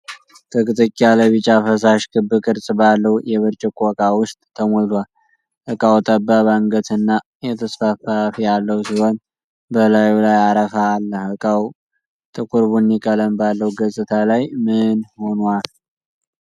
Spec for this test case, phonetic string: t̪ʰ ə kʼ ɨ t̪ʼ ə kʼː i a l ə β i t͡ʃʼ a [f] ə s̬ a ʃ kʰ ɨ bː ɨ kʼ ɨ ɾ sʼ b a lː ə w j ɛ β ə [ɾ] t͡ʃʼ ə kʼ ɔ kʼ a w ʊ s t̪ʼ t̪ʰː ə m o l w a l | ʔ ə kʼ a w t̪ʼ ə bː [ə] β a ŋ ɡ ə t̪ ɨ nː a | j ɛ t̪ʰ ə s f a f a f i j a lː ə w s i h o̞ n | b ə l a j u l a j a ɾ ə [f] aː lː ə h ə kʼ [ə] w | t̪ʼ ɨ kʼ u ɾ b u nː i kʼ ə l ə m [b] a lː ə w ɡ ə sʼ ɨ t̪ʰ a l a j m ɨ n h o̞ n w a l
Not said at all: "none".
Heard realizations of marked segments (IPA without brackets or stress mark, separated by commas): f, ɾ, a, f, a, b